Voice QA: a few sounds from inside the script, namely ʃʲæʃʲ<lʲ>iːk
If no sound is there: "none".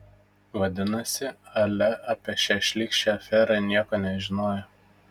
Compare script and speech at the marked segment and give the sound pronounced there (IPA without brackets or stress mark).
lʲ